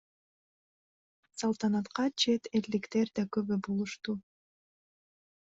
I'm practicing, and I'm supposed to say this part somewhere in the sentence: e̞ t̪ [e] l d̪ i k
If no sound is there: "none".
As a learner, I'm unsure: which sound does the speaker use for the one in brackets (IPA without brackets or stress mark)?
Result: e